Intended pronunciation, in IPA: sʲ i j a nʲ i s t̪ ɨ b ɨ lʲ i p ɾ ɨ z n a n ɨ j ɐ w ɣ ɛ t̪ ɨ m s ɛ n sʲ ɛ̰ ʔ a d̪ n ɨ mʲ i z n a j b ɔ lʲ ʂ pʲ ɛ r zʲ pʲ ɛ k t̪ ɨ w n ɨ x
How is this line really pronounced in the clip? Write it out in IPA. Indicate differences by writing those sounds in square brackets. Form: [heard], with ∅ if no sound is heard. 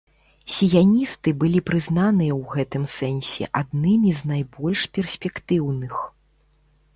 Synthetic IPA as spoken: sʲ i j a nʲ i s t̪ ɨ b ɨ lʲ i p ɾ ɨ z n a n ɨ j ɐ w ɣ ɛ t̪ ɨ m s ɛ n sʲ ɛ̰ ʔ a d̪ n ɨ mʲ i z n a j b ɔ lʲ ʂ pʲ ɛ r [sʲ] pʲ ɛ k t̪ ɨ w n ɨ x